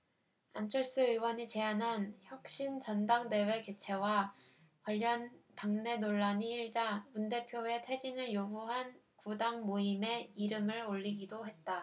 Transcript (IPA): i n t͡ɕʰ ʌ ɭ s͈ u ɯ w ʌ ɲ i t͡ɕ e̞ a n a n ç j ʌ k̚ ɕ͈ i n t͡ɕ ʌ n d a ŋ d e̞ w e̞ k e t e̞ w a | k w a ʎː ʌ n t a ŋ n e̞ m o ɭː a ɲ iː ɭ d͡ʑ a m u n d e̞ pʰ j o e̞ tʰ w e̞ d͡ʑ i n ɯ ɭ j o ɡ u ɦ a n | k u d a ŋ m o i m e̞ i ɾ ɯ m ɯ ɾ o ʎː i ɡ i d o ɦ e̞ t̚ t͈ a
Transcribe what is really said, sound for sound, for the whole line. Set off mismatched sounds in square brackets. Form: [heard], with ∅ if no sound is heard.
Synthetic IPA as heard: [a] n t͡ɕʰ ʌ ɭ s͈ [ɯ] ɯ w ʌ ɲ i t͡ɕ e̞ a n a n ç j ʌ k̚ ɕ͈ i n t͡ɕ ʌ n d a ŋ d e̞ w e̞ k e [t͡ɕʰ] e̞ w a | k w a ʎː ʌ n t a ŋ n e̞ [n] o ɭː a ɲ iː ɭ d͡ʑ a m u n d e̞ pʰ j o e̞ tʰ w e̞ d͡ʑ i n ɯ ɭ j o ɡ u ɦ a n | k u d a ŋ m o i m e̞ i ɾ ɯ m ɯ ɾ o ʎː i ɡ i d o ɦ e̞ t̚ t͈ a